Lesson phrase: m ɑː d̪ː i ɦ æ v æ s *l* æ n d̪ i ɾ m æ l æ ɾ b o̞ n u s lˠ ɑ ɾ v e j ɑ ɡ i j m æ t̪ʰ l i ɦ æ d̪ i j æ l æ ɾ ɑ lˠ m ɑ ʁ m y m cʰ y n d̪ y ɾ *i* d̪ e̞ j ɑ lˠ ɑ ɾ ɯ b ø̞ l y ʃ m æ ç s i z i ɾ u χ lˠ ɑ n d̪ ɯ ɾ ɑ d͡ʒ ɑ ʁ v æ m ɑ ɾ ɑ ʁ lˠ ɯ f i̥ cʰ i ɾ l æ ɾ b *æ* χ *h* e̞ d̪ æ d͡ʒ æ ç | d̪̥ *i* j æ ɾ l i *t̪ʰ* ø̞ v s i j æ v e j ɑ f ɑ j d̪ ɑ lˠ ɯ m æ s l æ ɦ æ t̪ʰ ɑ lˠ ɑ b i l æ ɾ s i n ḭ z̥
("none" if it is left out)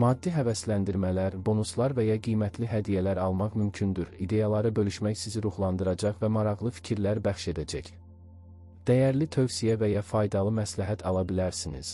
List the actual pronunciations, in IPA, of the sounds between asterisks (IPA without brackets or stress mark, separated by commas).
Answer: l, i, æ, ʃ, æ, t̪ʰ